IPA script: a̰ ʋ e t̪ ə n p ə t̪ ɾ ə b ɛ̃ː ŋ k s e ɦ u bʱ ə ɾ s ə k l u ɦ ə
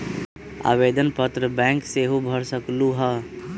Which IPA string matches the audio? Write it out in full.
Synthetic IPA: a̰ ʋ e d̪ ə n p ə t̪ ɾ ə b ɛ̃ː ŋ k s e ɦ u bʱ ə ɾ s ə k l u ɦ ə